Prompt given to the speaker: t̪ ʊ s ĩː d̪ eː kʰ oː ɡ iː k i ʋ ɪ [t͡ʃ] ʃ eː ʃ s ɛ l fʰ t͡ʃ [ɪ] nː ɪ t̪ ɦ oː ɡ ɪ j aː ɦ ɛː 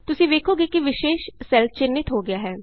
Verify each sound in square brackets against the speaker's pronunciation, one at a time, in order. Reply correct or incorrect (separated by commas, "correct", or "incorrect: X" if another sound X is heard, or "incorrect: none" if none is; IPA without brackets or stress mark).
incorrect: none, correct